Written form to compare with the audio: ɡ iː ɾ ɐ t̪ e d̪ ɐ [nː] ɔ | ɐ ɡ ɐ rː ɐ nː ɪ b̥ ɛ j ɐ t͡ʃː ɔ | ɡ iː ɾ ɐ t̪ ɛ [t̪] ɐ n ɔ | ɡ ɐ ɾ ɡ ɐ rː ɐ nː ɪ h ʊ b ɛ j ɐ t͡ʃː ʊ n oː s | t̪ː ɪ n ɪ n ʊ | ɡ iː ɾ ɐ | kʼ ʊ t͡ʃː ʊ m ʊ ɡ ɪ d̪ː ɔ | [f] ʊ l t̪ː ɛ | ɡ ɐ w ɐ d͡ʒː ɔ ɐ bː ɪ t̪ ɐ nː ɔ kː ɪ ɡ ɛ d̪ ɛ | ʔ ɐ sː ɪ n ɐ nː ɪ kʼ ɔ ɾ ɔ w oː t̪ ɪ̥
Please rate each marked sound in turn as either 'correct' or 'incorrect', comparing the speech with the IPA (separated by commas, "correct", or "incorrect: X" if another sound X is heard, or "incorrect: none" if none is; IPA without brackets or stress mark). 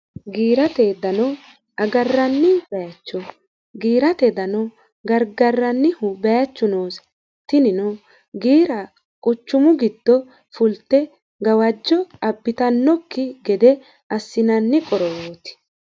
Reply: incorrect: n, incorrect: d̪, correct